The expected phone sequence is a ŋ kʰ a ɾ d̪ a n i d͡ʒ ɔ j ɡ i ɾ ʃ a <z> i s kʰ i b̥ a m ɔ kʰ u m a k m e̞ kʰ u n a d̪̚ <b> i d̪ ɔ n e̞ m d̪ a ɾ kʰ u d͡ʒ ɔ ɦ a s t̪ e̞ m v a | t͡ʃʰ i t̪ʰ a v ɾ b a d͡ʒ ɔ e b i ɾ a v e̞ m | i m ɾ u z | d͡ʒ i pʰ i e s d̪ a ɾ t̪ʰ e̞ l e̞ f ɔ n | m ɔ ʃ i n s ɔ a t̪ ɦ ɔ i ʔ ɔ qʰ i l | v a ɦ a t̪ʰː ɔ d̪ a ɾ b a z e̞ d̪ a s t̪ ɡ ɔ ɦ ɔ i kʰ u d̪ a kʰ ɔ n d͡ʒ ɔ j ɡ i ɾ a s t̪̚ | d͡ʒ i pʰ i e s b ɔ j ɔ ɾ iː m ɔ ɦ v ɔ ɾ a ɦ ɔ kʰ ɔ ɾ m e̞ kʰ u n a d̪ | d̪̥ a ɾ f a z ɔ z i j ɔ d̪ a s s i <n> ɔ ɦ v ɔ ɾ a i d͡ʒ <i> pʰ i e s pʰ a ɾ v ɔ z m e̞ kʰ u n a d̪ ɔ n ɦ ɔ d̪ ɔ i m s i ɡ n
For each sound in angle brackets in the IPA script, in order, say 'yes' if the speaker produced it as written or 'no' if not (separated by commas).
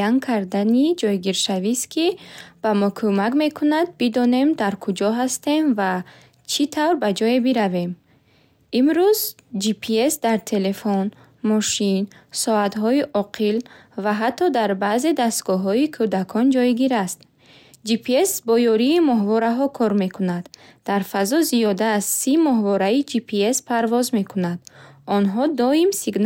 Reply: no, yes, no, yes